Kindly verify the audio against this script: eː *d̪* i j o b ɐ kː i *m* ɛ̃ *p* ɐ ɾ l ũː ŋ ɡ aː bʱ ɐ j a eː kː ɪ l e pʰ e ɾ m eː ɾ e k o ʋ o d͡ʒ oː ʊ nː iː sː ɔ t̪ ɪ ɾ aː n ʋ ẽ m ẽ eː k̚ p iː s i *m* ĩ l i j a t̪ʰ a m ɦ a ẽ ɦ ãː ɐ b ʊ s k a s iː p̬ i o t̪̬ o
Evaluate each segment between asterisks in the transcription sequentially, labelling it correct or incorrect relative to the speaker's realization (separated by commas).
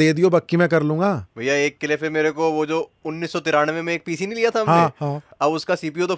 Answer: correct, correct, incorrect, incorrect